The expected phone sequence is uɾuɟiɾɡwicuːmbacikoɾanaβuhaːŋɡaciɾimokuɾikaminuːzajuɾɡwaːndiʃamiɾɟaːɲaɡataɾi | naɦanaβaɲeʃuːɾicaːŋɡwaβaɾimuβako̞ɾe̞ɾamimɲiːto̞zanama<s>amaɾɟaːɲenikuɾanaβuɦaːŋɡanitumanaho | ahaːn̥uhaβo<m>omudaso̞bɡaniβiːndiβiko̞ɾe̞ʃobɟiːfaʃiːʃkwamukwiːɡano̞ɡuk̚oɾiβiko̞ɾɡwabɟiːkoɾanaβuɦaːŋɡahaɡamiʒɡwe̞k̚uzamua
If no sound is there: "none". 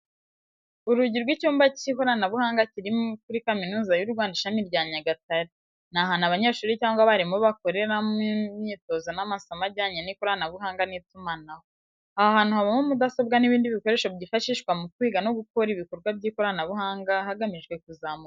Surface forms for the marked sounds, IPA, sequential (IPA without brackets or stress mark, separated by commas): s, m